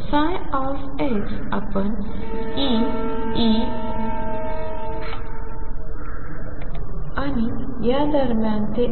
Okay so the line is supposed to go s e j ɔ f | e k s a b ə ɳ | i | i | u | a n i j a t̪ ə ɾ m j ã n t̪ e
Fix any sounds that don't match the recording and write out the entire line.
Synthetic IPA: s a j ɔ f | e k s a p ə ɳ | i | i | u | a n i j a d̪ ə ɾ m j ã n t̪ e